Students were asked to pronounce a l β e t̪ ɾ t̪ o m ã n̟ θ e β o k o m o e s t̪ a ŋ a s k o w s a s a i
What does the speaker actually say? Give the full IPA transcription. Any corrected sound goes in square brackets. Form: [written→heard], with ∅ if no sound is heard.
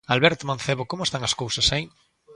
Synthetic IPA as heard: a l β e [t̪→∅] ɾ t̪ o m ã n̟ θ e β o k o m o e s t̪ a ŋ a s k o w s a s a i